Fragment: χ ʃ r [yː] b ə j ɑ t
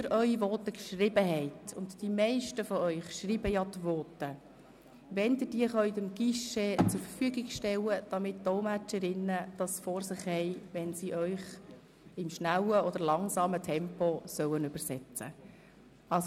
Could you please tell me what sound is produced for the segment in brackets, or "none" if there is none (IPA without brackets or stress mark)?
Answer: iː